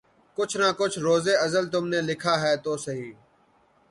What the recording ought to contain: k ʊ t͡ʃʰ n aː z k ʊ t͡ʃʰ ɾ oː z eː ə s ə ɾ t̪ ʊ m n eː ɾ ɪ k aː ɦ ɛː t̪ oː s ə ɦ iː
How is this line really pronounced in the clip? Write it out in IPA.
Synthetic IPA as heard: k ʊ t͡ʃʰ n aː k ʊ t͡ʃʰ ɾ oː z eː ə z ə l t̪ ʊ m n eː l ɪ kʰ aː ɦ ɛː t̪ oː s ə ɦ iː